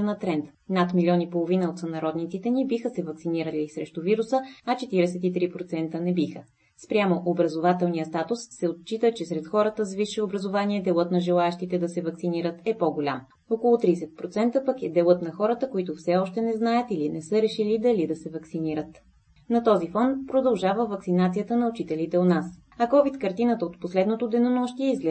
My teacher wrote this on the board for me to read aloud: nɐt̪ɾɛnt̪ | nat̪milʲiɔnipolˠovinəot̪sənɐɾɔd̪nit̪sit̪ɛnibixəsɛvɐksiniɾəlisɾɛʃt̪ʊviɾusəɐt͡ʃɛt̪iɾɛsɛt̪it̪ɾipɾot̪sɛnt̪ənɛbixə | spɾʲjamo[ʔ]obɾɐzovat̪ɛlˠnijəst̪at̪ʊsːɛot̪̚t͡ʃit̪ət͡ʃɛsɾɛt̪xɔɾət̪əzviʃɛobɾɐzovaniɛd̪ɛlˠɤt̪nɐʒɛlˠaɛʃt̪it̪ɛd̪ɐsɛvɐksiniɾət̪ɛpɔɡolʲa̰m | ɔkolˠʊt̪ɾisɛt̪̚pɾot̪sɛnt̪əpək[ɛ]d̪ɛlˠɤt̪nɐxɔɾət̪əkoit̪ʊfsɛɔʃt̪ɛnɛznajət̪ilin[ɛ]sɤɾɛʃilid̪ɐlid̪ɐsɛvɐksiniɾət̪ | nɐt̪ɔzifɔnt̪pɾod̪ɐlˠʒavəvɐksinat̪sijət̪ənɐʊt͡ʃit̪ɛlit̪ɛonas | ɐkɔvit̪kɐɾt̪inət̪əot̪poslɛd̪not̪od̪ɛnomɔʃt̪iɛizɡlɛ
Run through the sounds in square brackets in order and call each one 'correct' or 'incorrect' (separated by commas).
correct, correct, correct